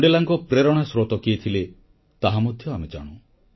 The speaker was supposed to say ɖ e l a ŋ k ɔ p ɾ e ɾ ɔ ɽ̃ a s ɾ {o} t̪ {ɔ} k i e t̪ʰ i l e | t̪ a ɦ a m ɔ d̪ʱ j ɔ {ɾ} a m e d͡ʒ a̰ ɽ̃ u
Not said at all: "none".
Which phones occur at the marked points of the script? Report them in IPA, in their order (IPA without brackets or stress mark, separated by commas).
o, ɔ, none